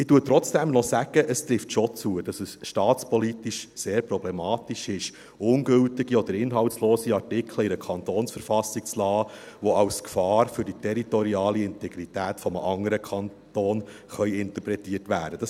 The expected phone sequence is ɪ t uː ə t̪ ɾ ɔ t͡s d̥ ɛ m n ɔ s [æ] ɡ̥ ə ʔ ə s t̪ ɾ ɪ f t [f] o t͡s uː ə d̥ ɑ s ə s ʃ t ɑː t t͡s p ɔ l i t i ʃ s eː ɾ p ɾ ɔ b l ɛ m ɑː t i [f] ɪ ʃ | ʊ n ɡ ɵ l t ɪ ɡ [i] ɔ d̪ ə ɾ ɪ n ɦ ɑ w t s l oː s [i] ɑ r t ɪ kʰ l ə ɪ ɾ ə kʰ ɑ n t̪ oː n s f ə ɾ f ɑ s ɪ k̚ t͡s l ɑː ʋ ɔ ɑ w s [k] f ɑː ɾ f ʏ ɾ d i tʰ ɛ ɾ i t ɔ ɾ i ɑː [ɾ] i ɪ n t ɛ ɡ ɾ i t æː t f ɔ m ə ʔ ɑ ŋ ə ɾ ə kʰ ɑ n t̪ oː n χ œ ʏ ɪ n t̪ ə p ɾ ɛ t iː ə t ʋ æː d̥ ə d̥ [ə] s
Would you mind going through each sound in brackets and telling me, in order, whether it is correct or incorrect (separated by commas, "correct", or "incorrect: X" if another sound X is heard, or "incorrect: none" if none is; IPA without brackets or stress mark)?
correct, incorrect: ʃ, incorrect: ʃ, correct, correct, correct, incorrect: l, incorrect: ɑ